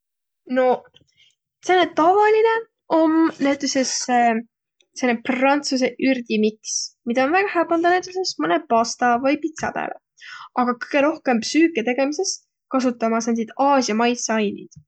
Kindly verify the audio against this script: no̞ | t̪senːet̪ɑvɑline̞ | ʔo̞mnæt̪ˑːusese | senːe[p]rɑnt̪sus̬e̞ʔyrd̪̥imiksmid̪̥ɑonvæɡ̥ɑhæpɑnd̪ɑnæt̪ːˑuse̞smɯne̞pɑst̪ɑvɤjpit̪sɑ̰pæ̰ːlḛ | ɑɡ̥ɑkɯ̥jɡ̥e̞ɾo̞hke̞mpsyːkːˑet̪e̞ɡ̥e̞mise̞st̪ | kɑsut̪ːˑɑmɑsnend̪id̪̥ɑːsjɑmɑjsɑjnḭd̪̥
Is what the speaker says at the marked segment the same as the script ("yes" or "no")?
yes